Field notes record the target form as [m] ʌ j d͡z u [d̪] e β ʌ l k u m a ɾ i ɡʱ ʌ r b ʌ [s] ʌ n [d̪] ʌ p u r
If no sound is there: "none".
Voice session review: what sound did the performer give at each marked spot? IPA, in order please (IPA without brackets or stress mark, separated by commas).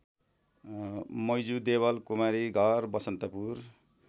m, d̪, s, t̪